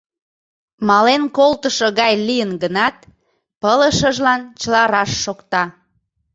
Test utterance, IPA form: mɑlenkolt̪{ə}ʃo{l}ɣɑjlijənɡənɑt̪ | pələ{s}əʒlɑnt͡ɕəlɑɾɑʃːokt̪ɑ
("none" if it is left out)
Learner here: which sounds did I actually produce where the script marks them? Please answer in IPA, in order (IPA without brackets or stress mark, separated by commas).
ə, none, ʃ